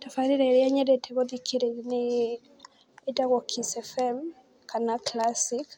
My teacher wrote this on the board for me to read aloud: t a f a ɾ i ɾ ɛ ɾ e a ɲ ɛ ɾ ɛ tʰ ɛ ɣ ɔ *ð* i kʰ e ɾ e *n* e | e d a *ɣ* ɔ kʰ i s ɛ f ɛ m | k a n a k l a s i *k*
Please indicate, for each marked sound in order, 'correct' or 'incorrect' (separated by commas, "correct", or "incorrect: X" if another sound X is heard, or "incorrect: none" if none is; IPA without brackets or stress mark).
correct, correct, correct, correct